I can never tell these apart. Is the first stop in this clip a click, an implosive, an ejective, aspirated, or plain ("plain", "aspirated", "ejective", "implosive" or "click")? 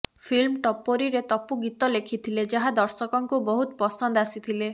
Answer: aspirated